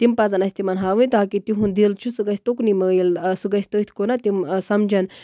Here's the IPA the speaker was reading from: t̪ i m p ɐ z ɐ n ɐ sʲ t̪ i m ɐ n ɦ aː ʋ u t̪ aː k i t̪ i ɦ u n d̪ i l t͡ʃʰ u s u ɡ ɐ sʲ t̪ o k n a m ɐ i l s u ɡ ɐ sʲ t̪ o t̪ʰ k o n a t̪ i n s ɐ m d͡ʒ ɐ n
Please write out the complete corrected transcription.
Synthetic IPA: t̪ i m p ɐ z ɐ n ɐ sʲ t̪ i m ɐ n ɦ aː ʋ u t̪ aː k i t̪ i ɦ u n d̪ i l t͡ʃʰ u s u ɡ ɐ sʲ t̪ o k n i m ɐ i l s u ɡ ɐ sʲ t̪ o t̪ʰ k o n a t̪ i m s ɐ m d͡ʒ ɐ n

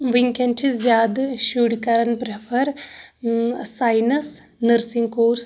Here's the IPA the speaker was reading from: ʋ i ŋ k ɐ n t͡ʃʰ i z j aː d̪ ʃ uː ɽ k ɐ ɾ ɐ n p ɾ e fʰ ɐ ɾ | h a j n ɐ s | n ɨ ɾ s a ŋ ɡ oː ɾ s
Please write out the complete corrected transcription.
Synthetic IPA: ʋ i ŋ k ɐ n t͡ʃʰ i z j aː d̪ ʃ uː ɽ k ɐ ɾ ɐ n p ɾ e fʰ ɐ ɾ | s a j n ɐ s | n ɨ ɾ s i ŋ k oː ɾ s

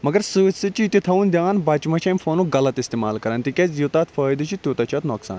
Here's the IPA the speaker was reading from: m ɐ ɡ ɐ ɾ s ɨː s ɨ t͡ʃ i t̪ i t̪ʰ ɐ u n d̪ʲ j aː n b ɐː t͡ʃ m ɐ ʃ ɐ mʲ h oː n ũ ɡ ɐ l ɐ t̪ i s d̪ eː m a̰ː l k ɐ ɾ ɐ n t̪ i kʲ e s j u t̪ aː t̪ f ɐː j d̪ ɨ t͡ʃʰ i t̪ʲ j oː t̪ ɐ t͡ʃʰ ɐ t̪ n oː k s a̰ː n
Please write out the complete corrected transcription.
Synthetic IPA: m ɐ ɡ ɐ ɾ s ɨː s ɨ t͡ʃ i t̪ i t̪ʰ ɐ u n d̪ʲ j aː n b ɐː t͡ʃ m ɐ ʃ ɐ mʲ f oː n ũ ɡ ɐ l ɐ t̪ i s t̪ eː m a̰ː l k ɐ ɾ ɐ n t̪ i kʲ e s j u t̪ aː t̪ f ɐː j d̪ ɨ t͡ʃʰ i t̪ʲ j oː t̪ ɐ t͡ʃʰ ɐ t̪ n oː k s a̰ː n

